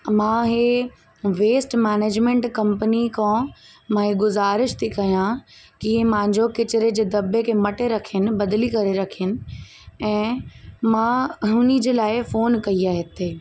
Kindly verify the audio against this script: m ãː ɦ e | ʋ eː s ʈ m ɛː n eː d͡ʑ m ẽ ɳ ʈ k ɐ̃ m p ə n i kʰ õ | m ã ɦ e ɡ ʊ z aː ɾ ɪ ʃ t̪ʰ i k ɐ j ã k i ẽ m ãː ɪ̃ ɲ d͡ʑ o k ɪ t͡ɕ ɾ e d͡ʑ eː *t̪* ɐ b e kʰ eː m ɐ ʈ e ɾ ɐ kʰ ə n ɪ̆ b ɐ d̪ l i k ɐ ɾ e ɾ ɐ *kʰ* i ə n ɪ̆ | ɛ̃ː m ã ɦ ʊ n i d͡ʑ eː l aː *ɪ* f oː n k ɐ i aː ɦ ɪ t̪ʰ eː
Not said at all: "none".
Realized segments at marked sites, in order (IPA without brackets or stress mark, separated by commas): d̪, kʰ, ɪ